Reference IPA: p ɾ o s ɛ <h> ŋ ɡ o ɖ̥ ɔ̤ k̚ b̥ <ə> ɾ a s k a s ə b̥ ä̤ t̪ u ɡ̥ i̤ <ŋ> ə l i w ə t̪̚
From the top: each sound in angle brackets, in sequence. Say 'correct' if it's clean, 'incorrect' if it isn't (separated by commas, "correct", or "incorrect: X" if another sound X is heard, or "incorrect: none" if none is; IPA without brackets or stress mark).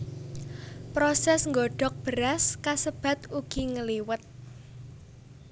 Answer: incorrect: s, correct, correct